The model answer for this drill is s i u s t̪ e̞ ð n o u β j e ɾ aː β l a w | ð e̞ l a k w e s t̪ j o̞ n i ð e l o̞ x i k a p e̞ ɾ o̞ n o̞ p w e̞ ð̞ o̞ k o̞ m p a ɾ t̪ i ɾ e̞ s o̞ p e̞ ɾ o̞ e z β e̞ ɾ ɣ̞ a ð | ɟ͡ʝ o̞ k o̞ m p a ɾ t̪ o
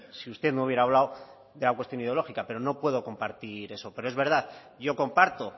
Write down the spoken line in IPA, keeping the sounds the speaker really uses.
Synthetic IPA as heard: s i u s t̪ e̞ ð n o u β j e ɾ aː β l a w | ð e̞ l a k w e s t̪ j o̞ n i ð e l o̞ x i k a p e̞ ɾ o̞ n o̞ p w e̞ ð̞ o̞ k o̞ m p a ɾ t̪ i ɾ e̞ s o̞ p e̞ ɾ o̞ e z β e̞ ɾ ð̞ a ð | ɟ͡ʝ o̞ k o̞ m p a ɾ t̪ o

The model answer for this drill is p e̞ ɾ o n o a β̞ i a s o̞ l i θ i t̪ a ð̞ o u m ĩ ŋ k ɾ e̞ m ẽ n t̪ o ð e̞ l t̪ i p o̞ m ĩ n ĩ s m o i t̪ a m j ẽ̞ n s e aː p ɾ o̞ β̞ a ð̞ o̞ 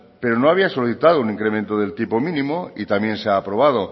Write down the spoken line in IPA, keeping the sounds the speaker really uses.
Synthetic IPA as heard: p e̞ ɾ o n o a β̞ i a s o̞ l i θ i t̪ a ð̞ o u n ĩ ŋ k ɾ e̞ m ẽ n t̪ o ð e̞ l t̪ i p o̞ m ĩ n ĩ m o i t̪ a m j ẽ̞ n s e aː p ɾ o̞ β̞ a ð̞ o̞

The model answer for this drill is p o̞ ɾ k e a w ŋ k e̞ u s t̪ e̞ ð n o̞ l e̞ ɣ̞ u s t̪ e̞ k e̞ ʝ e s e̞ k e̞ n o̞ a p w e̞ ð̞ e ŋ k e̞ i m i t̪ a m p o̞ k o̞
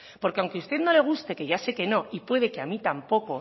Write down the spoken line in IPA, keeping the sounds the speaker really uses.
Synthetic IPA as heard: p o̞ ɾ k e a w ŋ k e̞ u s t̪ e̞ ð n o̞ l e̞ ɣ̞ u s t̪ e̞ k e̞ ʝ a s e̞ k e̞ n o̞ i p w e̞ ð̞ e k e̞ a m i t̪ a m p o̞ k o̞

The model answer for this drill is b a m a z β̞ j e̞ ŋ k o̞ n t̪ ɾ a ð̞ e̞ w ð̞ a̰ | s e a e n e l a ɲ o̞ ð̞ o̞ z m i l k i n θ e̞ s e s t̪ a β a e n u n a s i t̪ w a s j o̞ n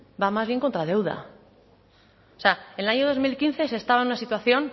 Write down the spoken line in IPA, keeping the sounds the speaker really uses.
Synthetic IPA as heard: b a m a z β̞ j e̞ ŋ k o̞ n t̪ ɾ a ð̞ e̞ w ð̞ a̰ | s e a e n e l a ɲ o̞ ð̞ o̞ z m i l k i n θ e̞ s e s t̪ a β a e n u n a s i t̪ w a θ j o̞ n

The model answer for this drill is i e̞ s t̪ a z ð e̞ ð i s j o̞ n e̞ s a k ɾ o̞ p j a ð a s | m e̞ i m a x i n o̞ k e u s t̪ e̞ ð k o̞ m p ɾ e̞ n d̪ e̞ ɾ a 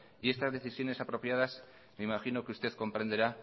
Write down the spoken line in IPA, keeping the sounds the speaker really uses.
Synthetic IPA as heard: i e̞ s t̪ a z ð e̞ θ i s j o̞ n e̞ s a p ɾ o̞ p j a ð a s | m e̞ i m a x i n o̞ k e u s t̪ e̞ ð k o̞ m p ɾ e̞ n d̪ e̞ ɾ a

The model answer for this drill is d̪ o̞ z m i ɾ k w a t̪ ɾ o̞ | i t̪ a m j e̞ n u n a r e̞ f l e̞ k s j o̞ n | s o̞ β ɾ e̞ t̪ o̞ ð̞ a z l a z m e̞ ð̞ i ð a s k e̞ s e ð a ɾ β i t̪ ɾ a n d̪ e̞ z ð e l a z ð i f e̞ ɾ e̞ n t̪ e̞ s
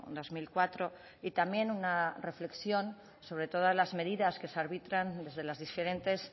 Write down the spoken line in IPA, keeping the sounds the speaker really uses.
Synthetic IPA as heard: d̪ o̞ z m i l k w a t̪ ɾ o̞ | i t̪ a m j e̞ n u n a r e̞ f l e̞ k s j o̞ n | s o̞ β ɾ e̞ t̪ o̞ ð̞ a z l a z m e̞ ð̞ i ð a s k e̞ s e a ɾ β i t̪ ɾ a n d̪ e̞ z ð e l a z ð i f e̞ ɾ e̞ n t̪ e̞ s

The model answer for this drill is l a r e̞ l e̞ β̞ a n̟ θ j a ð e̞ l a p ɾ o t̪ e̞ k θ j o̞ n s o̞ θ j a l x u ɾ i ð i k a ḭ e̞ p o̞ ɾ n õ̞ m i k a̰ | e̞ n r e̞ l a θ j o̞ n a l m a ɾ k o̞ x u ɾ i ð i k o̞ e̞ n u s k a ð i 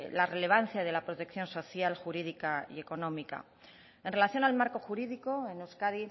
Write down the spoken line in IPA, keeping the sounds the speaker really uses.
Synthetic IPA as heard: l a r e̞ l e̞ β̞ a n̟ θ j a ð e̞ l a p ɾ o t̪ e̞ k θ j o̞ n s o̞ θ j a l x u ɾ i ð i k a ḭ e̞ k o̞ n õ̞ m i k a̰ | e̞ n r e̞ l a θ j o̞ n a l m a ɾ k o̞ x u ɾ i ð i k o̞ e̞ n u s k a ð i

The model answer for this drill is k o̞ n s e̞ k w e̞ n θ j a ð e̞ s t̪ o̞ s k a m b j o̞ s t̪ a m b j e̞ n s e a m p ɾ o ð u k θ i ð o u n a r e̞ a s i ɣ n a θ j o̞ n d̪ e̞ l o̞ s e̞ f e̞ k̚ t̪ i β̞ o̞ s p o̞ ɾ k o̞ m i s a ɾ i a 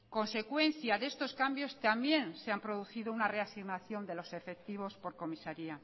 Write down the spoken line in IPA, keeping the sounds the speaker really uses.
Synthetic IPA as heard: k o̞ n s e̞ k w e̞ n θ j a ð e̞ s t̪ o̞ s k a m b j o̞ s t̪ a m b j e̞ n s e a m p ɾ o ð u θ i ð o u n a r e̞ a s i ɣ n a θ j o̞ n d̪ e̞ l o̞ s e̞ f e̞ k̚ t̪ i β̞ o̞ s p o̞ ɾ k o̞ m i s a ɾ i a

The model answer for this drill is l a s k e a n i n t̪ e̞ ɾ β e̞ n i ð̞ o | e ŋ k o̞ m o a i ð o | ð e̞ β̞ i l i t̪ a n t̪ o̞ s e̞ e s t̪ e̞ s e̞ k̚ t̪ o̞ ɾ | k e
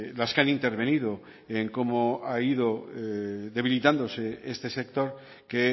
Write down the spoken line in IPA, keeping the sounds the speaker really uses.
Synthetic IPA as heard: l a s k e a n i n t̪ e̞ ɾ β e̞ n i ð̞ o | e ŋ k o̞ m o a i ð o | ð e̞ β̞ i l i t̪ a n d̪ o̞ s e̞ e s t̪ e̞ s e̞ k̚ t̪ o̞ ɾ | k e

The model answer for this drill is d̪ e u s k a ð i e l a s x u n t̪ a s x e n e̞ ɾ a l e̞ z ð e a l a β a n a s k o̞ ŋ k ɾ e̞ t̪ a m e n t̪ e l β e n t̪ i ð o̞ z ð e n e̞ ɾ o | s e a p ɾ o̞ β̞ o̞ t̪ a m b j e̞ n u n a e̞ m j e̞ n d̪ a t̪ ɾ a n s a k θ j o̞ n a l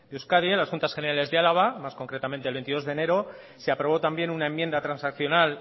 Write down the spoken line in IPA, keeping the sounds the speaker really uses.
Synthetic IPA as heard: d̪ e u s k a ð i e l a s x u n t̪ a s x e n e̞ ɾ a l e̞ z ð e a l a β a m a s k o̞ ŋ k ɾ e̞ t̪ a m e n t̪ e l β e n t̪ i ð o̞ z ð e n e̞ ɾ o | s e a p ɾ o̞ β̞ o̞ t̪ a m b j e̞ n u n a e̞ m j e̞ n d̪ a t̪ ɾ a n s a k θ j o̞ n a l

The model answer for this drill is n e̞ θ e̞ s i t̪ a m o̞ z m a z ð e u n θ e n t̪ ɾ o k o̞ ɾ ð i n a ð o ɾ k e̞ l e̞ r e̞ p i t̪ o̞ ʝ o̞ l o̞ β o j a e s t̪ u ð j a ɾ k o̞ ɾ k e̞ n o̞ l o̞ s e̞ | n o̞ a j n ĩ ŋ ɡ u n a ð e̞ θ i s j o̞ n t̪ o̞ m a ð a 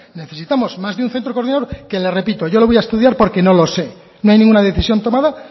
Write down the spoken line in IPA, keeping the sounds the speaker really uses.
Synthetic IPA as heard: n e̞ θ e̞ s i t̪ a m o̞ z m a z ð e u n θ e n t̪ ɾ o k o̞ ɾ ð i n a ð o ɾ k e̞ l e̞ r e̞ p i t̪ o̞ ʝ o̞ l o̞ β o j a e s t̪ u ð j a ɾ p o̞ ɾ k e̞ n o̞ l o̞ s e̞ | n o̞ a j n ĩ ŋ ɡ u n a ð e̞ θ i s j o̞ n t̪ o̞ m a ð a

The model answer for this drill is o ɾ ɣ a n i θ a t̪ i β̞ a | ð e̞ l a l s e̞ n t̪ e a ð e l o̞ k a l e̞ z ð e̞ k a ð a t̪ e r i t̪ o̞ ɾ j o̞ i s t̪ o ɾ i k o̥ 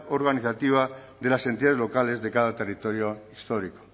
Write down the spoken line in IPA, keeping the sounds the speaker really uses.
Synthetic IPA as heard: o ɾ ɣ a n i θ a t̪ i β̞ a | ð e̞ l a s e̞ n t̪ i a ð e l o̞ k a l e̞ z ð e̞ k a ð a t̪ e r i t̪ o̞ ɾ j o̞ i s t̪ o ɾ i k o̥

